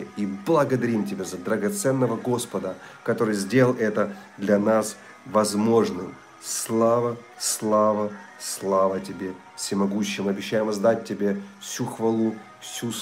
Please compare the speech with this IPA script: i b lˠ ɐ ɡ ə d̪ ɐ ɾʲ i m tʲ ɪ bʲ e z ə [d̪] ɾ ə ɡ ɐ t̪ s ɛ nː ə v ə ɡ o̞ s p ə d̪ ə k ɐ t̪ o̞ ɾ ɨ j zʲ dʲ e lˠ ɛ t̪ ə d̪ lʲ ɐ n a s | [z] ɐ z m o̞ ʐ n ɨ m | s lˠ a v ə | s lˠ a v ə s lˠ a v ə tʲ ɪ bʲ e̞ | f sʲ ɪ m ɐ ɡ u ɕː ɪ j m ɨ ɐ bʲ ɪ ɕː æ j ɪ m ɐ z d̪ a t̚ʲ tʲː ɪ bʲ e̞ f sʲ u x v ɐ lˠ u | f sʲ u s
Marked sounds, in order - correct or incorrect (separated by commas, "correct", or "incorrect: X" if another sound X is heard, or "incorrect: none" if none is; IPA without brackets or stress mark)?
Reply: correct, incorrect: v